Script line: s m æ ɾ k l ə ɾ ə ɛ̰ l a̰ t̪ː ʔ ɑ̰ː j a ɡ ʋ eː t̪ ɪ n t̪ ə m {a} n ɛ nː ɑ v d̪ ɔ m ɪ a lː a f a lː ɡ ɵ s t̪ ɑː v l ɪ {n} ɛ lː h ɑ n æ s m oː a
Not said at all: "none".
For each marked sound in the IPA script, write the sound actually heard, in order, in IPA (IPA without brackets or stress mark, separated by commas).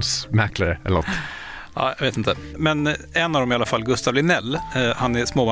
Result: ɛ, n